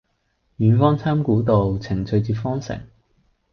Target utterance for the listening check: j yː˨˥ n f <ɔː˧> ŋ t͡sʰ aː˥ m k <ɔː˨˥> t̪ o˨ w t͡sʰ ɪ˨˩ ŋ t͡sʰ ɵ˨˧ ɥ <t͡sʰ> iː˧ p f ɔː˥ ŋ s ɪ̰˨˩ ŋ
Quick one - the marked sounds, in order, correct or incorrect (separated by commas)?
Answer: incorrect, incorrect, incorrect